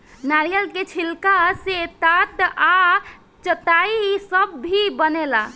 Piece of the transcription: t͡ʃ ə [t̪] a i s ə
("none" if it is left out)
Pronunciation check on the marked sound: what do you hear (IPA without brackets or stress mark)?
t̪